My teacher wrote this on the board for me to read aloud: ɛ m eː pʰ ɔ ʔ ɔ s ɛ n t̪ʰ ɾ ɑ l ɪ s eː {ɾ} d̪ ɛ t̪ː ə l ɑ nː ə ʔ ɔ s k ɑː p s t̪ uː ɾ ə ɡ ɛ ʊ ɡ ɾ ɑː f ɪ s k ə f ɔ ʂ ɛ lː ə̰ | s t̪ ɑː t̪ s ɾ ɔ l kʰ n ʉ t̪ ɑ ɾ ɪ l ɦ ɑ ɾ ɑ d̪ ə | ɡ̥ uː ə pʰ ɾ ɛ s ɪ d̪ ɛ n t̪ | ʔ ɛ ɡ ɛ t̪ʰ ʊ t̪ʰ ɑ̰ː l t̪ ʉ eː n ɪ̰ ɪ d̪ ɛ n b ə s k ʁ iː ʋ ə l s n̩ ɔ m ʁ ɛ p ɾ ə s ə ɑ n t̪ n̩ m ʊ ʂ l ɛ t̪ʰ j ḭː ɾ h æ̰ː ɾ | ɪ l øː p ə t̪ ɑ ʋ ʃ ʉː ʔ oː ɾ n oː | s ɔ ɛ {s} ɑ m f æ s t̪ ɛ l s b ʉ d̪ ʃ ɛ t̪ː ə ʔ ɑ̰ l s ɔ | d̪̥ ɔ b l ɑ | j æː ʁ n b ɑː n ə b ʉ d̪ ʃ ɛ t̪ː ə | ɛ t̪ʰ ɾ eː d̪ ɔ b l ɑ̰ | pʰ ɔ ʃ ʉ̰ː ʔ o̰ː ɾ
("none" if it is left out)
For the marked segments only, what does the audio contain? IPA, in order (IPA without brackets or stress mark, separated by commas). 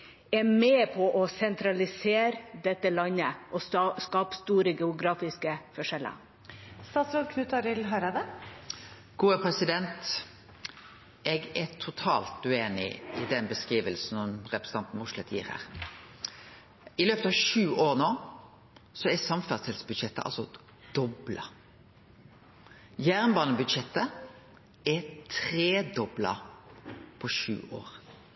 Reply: ɾ, s